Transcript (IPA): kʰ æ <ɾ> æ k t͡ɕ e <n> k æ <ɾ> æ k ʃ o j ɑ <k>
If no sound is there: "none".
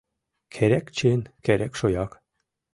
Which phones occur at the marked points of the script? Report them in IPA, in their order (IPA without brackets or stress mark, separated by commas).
ɾ, n, ɾ, k